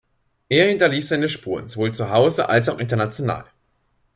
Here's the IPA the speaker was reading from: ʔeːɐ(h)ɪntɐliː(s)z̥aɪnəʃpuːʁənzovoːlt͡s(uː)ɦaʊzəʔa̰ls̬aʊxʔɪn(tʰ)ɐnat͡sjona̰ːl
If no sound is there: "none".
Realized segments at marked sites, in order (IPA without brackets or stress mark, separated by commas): h, s, u, t